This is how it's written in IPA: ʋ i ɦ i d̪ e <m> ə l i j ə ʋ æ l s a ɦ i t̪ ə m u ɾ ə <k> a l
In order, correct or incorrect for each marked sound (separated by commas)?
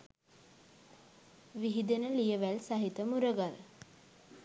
incorrect, incorrect